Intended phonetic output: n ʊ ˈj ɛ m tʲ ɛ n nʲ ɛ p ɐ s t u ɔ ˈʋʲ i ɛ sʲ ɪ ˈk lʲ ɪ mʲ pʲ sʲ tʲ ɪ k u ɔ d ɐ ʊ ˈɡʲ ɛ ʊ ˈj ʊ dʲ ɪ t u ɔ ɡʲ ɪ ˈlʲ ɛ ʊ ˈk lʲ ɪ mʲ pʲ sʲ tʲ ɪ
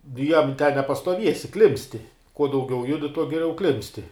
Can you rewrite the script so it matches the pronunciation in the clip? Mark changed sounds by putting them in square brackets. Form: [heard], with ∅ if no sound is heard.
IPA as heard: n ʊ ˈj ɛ m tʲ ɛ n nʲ ɛ p ɐ s t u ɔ ˈʋʲ i ɛ sʲ ɪ ˈk lʲ ɪ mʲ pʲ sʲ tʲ ɪ k u ɔ d ɐ ʊ ˈɡʲ ɛ ʊ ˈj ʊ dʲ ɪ t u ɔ ɡʲ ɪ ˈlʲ ɛ ʊ ˈk lʲ ɪ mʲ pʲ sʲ tʲ ɪ